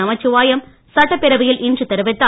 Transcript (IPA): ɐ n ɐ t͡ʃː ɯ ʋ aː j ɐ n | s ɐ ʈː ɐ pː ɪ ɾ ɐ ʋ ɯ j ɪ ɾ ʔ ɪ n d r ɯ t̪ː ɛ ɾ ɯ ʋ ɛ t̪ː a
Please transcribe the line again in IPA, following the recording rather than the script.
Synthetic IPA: ɐ m ɐ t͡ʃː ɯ ʋ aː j ɐ m | s ɐ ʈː ɐ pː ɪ ɾ ɐ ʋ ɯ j ɪ l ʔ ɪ n d r ɯ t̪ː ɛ ɾ ɯ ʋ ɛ t̪ː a